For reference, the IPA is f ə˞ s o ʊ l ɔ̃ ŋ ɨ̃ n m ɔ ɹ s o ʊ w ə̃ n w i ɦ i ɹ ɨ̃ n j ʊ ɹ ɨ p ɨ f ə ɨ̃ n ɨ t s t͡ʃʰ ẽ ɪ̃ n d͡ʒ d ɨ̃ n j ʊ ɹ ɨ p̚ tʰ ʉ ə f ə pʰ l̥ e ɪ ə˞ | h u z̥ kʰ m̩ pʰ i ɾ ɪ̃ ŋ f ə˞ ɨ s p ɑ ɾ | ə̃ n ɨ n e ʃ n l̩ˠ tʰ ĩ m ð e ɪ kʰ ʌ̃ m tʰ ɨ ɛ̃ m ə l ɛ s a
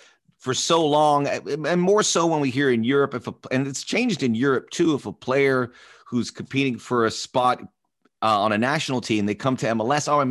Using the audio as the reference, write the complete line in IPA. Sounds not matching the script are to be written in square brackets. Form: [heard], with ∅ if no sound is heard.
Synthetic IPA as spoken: f ə˞ s o ʊ l ɔ̃ ŋ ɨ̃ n m ɔ ɹ s o ʊ w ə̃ n w i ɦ i ɹ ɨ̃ n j ʊ ɹ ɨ p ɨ f ə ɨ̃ n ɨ t s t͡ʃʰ ẽ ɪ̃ n d͡ʒ d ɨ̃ n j ʊ ɹ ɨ p̚ tʰ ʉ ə f ə pʰ l̥ e ɪ ə˞ | h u z̥ kʰ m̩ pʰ i ɾ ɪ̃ ŋ f ə˞ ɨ s p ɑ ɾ | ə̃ n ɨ n [æ] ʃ n l̩ˠ tʰ ĩ m ð e ɪ kʰ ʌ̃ m tʰ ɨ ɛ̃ m ə l ɛ s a